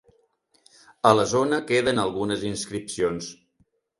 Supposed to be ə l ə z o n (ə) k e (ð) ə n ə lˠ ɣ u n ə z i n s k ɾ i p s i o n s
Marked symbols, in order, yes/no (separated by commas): yes, yes